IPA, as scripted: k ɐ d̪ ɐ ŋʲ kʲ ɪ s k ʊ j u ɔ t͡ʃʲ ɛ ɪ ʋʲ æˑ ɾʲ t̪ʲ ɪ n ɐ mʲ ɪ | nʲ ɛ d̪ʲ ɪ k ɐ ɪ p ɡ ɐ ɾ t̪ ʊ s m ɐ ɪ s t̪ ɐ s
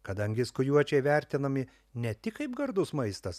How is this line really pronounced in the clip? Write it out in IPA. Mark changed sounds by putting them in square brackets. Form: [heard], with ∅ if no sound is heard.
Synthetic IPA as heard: k ɐ d̪ ɐ ŋʲ [ɡʲ] ɪ s k ʊ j u ɔ t͡ʃʲ ɛ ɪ ʋʲ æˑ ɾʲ t̪ʲ ɪ n ɐ mʲ ɪ | nʲ ɛ [t̪ʲ] ɪ k ɐ ɪ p ɡ ɐ ɾ [d̪] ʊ s m ɐ ɪ s t̪ ɐ s